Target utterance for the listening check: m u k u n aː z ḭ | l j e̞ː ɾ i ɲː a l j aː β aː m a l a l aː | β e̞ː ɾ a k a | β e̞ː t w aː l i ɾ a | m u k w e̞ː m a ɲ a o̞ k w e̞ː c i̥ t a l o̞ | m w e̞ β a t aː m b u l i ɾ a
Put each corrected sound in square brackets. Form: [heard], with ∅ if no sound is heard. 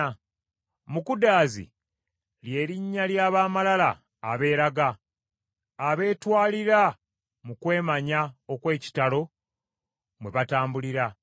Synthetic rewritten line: m u k u [d] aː z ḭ | l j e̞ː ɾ i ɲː a l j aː β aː m a l a l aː | β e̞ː ɾ a [ɡ] a | β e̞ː t w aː l i ɾ a | m u k w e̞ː m a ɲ a o̞ k w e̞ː c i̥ t a l o̞ | m w e̞ β a t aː m b u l i ɾ a